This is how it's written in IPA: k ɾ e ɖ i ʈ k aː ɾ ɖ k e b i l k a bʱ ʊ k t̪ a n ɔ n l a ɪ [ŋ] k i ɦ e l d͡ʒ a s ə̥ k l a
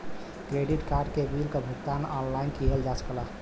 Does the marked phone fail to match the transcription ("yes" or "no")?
yes